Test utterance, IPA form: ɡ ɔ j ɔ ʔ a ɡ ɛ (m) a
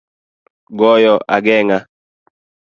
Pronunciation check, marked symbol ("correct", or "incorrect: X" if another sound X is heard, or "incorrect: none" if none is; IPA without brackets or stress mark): incorrect: ŋ